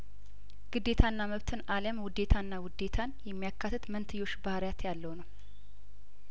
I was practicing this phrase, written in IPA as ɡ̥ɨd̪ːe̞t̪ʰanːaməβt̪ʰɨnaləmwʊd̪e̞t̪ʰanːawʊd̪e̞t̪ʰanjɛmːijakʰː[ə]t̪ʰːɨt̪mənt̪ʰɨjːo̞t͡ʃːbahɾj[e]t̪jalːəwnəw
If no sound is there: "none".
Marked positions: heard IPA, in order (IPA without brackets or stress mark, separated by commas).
a, a